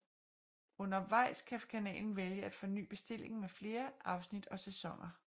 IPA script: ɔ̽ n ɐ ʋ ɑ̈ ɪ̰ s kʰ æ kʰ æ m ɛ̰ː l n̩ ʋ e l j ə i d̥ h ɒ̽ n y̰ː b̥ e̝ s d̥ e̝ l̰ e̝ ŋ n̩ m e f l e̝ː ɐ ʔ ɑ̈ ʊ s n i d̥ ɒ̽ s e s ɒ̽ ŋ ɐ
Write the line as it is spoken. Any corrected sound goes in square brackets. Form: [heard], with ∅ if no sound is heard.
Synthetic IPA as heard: ɔ̽ n ɐ ʋ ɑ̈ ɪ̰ s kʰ æ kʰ æ [n] ɛ̰ː l n̩ ʋ e l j ə [æ] d̥ [f] ɒ̽ n y̰ː b̥ e̝ s d̥ e̝ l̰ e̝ ŋ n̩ m e f l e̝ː ɐ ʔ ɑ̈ ʊ s n i d̥ ɒ̽ s e s ɒ̽ ŋ ɐ